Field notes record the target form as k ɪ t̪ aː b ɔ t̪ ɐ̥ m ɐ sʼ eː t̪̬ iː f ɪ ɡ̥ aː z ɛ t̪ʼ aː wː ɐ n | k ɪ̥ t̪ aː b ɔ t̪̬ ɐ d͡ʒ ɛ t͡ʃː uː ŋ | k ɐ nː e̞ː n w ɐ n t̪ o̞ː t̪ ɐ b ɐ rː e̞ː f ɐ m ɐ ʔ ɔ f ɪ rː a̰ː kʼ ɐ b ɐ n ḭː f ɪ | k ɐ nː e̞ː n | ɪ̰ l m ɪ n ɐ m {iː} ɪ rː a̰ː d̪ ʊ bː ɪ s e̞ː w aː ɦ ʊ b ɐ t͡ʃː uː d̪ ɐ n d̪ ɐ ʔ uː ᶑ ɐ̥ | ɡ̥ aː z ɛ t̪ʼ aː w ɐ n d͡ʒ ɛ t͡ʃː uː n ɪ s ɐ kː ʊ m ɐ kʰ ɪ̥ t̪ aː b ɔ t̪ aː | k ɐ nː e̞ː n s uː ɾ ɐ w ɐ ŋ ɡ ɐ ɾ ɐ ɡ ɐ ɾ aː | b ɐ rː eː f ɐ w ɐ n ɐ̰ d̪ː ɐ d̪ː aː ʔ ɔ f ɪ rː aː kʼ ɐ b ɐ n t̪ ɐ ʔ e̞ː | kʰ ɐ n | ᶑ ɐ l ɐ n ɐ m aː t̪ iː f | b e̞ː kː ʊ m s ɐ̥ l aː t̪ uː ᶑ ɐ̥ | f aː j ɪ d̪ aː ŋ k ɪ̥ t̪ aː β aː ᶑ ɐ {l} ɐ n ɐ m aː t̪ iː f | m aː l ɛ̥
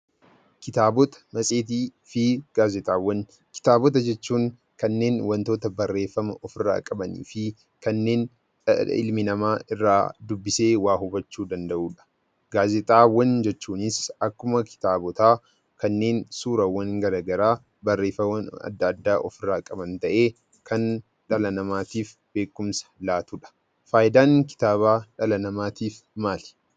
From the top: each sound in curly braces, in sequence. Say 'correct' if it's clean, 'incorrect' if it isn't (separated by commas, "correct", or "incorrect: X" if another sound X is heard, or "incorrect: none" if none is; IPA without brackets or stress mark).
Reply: incorrect: aː, correct